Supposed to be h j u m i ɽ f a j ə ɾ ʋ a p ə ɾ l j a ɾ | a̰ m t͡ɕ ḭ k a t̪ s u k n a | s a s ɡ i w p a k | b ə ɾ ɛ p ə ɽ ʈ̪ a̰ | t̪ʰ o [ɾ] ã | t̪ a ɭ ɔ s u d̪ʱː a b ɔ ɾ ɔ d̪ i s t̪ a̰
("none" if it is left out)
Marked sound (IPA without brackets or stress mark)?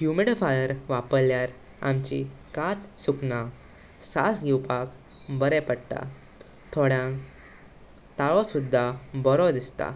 ɽ